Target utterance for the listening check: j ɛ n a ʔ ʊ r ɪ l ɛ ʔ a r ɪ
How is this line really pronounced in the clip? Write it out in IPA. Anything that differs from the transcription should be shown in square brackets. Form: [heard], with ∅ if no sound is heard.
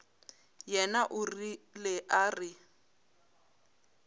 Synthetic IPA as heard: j ɛ n a ʔ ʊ r [i] l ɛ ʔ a r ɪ